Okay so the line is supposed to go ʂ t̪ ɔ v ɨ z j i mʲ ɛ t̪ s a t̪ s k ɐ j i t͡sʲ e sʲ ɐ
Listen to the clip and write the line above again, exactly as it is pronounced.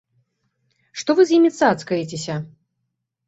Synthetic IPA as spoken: ʂ t̪ ɔ v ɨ z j i mʲ i t̪ s a t̪ s k ɐ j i t͡sʲ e sʲ ɐ